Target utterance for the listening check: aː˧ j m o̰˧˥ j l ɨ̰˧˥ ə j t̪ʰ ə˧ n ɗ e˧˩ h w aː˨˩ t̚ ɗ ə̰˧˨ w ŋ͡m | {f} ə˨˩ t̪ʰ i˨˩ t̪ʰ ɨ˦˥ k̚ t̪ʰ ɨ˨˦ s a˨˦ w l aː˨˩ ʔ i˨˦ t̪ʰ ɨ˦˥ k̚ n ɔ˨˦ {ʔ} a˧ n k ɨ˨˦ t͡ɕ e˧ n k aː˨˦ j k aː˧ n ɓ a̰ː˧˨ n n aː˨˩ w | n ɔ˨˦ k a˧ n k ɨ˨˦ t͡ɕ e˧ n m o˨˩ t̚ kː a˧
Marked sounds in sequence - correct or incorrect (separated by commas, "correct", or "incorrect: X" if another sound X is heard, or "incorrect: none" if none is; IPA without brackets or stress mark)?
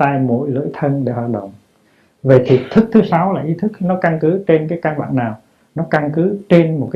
incorrect: v, incorrect: k